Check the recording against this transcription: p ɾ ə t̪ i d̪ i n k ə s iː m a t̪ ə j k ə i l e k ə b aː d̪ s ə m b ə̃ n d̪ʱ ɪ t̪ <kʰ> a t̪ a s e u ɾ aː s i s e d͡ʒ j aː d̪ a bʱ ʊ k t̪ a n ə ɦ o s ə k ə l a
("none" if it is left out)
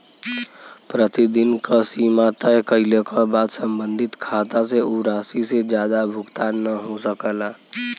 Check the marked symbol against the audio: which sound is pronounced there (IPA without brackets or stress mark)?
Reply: kʰ